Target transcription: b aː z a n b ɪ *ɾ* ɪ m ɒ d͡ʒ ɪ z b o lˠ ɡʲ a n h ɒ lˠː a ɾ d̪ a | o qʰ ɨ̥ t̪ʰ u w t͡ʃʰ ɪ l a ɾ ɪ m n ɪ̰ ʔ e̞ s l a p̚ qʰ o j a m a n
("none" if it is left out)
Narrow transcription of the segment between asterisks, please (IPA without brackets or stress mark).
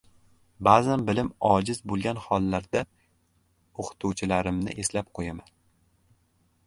l